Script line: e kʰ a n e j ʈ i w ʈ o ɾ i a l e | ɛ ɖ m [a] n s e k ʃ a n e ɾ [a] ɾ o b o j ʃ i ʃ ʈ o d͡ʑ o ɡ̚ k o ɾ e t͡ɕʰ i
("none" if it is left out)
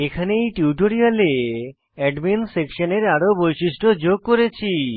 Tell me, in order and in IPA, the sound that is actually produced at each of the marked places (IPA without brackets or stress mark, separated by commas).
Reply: i, a